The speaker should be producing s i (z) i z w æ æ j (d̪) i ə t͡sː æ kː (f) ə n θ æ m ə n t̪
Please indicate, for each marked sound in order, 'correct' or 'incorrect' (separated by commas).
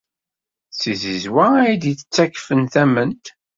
correct, correct, correct